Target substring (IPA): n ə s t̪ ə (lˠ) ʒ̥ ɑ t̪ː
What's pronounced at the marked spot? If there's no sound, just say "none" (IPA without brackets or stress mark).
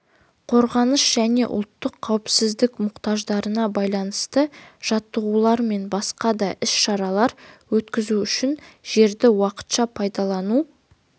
none